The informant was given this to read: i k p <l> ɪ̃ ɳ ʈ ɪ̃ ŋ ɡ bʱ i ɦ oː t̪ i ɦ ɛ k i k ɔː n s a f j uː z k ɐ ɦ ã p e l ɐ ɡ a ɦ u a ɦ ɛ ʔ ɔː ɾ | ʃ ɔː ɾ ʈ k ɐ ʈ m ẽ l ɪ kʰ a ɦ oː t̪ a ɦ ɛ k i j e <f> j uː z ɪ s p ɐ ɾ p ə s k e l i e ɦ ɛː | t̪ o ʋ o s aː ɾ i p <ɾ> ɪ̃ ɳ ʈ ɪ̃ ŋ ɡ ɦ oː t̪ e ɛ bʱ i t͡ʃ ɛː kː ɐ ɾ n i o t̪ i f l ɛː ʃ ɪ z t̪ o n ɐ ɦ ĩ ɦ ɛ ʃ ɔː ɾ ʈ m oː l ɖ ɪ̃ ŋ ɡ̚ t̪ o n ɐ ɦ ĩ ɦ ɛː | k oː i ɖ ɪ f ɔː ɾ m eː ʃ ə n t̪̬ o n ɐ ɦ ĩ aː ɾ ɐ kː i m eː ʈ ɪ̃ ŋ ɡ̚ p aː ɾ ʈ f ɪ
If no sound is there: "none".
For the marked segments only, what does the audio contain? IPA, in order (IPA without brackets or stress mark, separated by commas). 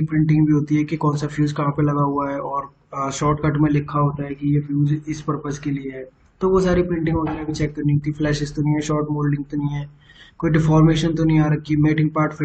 ɾ, f, ɾ